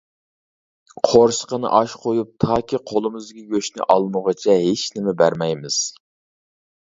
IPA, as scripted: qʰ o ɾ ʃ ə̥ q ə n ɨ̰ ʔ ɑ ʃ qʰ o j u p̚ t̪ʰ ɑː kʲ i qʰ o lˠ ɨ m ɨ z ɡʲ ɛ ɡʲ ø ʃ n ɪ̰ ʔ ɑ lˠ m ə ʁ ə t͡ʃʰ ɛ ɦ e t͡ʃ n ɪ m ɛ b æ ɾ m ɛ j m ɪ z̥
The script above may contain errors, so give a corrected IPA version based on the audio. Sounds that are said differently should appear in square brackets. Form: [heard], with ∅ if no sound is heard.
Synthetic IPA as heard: qʰ o ɾ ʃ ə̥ q ə n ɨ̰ ʔ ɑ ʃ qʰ o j u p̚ t̪ʰ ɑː kʲ i qʰ o lˠ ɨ m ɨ z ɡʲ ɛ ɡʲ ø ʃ n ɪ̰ ʔ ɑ lˠ m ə ʁ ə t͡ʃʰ ɛ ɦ e t͡ʃ n ɪ m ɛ b æ ɾ m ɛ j m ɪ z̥